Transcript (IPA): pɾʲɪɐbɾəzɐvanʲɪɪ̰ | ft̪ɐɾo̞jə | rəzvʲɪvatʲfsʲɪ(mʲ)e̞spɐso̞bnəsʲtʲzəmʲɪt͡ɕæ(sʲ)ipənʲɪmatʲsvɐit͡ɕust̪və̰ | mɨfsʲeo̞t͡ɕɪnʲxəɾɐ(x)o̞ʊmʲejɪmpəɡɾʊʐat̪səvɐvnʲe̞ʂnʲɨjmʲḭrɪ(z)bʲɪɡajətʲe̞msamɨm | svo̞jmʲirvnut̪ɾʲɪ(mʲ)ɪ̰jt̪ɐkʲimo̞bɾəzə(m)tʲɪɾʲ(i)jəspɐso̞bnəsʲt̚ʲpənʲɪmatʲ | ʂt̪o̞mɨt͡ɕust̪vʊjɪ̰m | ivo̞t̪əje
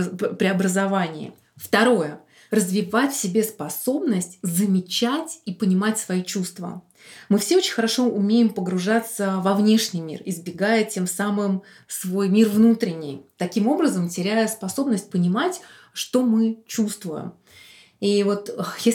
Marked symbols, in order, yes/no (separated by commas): no, no, no, yes, no, yes, no